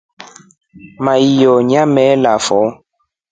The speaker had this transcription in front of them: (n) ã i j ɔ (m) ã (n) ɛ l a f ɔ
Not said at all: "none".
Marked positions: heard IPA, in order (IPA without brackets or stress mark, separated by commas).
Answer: m, ɲ, m